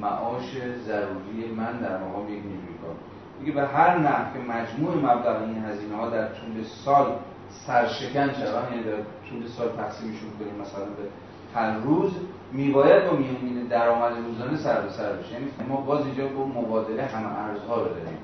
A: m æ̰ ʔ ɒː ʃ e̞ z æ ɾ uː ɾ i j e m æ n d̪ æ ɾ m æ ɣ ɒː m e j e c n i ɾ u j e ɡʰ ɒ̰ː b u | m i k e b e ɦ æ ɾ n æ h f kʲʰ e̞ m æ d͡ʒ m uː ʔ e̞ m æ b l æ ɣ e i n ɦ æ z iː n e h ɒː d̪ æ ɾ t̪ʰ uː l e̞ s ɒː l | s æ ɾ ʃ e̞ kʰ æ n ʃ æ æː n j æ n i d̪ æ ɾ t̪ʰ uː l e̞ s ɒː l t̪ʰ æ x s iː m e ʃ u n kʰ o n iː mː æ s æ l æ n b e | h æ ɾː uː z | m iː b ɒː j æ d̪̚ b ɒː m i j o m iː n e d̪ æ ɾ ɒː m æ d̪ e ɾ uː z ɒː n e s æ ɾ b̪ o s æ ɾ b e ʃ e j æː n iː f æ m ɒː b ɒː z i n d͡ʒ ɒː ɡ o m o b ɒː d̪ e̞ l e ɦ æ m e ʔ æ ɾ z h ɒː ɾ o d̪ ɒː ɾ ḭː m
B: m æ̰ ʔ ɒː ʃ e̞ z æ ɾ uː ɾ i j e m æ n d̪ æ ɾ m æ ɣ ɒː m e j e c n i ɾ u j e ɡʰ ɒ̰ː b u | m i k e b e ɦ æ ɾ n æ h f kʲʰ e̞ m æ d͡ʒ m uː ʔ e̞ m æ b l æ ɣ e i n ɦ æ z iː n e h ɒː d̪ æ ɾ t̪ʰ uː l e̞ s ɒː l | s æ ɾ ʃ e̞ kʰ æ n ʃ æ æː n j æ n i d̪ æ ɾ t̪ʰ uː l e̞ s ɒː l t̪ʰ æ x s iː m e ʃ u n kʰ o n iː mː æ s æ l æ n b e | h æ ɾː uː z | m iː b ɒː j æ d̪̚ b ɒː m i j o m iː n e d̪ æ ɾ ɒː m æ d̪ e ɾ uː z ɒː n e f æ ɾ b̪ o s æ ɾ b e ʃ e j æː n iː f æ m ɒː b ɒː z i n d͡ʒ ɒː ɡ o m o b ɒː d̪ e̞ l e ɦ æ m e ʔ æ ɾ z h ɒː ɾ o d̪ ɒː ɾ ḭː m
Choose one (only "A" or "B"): A